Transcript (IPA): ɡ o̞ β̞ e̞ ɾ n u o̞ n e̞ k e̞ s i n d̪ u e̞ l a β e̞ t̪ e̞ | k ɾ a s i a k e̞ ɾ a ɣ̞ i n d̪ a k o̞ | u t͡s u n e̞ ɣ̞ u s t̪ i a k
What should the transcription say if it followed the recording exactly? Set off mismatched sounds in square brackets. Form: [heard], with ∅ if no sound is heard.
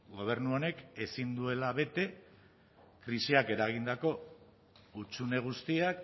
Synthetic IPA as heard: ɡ o̞ β̞ e̞ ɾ n u o̞ n e̞ k e̞ s i n d̪ u e̞ l a β e̞ t̪ e̞ | k ɾ [i] s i a k e̞ ɾ a ɣ̞ i n d̪ a k o̞ | u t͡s u n e̞ ɣ̞ u s t̪ i a k